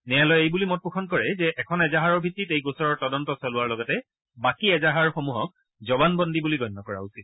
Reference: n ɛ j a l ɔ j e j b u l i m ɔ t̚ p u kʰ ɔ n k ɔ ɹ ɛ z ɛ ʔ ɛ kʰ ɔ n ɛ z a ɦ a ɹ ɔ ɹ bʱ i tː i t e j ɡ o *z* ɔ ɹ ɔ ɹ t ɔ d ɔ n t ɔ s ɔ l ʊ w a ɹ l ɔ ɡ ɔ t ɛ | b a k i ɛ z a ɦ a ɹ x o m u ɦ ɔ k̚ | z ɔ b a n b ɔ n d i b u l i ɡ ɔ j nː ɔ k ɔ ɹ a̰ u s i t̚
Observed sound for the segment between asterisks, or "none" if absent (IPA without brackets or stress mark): s